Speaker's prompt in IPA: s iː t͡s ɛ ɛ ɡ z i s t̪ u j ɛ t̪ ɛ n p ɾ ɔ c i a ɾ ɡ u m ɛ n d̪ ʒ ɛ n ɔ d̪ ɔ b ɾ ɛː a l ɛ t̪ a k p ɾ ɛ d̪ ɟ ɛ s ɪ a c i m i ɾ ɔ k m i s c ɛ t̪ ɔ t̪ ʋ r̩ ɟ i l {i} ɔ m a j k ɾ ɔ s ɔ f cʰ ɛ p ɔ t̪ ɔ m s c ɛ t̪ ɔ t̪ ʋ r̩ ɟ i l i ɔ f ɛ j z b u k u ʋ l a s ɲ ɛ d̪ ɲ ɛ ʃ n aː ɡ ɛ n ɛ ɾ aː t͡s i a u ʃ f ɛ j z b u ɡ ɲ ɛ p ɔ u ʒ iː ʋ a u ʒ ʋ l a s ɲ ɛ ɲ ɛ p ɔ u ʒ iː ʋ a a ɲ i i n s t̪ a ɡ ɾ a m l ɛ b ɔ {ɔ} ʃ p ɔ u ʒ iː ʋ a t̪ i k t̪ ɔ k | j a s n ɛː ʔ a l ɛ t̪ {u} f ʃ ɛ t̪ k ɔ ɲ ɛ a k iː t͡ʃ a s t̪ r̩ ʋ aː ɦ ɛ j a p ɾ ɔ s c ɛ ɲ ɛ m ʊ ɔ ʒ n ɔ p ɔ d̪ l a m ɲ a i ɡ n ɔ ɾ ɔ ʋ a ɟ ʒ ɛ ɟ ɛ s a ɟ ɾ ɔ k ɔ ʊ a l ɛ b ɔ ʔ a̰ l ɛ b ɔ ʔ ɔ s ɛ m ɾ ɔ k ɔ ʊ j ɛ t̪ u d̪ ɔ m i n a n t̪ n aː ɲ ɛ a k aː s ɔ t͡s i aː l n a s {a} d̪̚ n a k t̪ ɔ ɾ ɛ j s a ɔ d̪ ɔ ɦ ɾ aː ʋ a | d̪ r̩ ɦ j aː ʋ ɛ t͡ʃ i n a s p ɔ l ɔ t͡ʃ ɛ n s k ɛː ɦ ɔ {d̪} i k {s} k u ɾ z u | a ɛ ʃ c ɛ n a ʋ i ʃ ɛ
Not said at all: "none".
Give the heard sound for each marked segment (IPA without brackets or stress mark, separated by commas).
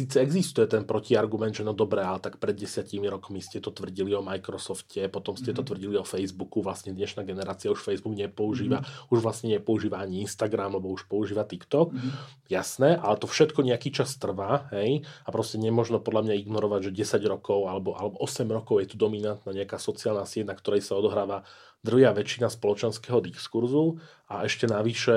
i, u, ɔ, ɛ, d̪, s